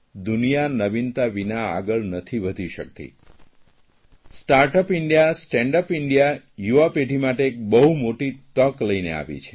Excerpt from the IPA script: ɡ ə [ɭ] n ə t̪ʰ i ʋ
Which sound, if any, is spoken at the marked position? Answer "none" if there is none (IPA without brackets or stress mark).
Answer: ɭ